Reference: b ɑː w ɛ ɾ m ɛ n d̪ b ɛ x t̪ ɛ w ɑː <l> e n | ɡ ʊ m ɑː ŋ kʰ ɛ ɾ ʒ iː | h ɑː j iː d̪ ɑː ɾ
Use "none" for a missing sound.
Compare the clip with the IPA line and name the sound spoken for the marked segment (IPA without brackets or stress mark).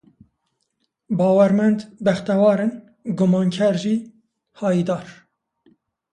ɾ